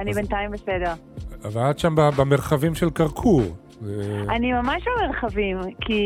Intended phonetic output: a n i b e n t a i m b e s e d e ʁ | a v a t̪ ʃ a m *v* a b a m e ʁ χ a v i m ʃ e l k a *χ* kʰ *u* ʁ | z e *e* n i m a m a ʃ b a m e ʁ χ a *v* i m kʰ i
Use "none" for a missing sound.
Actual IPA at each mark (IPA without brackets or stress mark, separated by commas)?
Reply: b, ʁ, u, a, v